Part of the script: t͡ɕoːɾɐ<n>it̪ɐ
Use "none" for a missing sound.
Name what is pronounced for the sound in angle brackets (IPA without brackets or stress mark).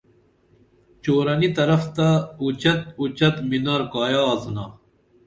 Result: n